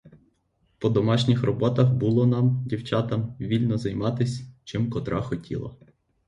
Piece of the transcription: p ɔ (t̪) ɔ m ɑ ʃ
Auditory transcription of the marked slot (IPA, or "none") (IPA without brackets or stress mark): d̪